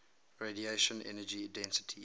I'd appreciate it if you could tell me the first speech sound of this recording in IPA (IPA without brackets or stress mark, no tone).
ɹ